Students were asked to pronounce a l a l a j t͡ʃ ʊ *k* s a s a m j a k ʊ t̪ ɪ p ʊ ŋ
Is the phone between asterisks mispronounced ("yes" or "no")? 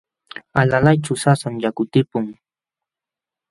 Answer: yes